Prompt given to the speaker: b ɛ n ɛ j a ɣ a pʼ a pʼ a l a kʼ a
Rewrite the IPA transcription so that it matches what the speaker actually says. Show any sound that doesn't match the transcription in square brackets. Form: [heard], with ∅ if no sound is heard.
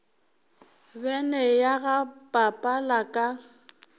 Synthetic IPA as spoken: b ɛ n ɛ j a ɣ a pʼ a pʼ a l a kʼ a